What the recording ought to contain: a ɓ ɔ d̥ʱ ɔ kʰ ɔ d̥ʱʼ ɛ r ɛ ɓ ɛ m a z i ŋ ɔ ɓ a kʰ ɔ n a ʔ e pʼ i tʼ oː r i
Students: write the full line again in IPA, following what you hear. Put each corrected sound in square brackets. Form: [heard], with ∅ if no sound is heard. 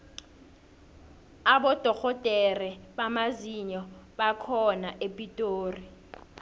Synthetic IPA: a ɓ ɔ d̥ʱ ɔ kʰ ɔ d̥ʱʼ ɛ r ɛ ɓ [a] m a z i [ɲ] ɔ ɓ a kʰ ɔ n a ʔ e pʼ i tʼ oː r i